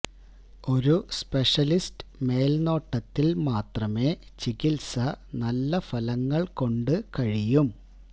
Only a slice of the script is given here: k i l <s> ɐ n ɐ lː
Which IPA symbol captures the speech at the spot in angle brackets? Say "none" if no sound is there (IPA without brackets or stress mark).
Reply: s